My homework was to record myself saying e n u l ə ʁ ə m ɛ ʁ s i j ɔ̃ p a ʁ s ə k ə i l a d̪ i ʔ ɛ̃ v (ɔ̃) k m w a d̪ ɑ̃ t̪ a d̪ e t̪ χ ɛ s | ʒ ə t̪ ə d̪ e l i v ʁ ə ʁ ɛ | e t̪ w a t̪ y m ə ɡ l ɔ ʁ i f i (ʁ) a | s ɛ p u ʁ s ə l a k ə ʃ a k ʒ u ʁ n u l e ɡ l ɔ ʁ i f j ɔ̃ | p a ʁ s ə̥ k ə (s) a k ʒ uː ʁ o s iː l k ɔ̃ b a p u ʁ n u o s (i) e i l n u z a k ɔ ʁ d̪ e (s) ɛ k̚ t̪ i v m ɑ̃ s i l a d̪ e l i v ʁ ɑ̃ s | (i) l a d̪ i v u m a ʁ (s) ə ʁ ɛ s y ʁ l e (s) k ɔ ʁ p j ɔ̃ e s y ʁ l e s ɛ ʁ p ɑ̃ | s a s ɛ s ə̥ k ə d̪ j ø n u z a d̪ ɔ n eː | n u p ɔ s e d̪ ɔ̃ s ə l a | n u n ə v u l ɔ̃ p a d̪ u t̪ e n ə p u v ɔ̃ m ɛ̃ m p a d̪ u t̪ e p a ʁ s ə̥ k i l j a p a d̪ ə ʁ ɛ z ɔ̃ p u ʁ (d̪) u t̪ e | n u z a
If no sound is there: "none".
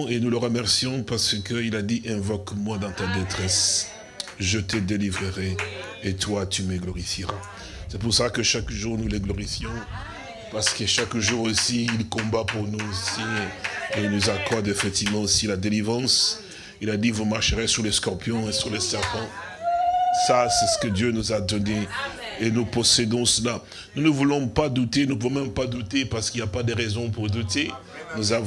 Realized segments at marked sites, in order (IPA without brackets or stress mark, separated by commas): ɔ, ʁ, ʃ, i, f, i, ʃ, s, d̪